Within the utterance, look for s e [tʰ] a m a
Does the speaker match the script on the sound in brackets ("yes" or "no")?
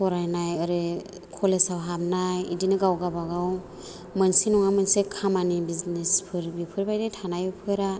no